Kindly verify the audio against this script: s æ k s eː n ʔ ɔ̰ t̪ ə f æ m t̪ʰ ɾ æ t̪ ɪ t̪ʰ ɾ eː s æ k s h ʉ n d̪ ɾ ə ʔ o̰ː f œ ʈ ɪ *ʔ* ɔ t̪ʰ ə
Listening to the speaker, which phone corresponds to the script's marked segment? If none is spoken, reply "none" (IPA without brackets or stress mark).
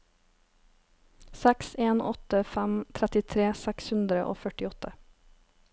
none